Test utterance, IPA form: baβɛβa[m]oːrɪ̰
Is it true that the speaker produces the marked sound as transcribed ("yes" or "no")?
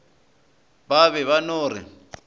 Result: no